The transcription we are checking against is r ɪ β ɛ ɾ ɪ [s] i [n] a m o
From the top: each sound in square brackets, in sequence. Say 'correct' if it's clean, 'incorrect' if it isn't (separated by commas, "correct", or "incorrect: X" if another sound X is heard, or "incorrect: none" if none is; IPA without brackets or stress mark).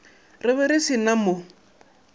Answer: correct, correct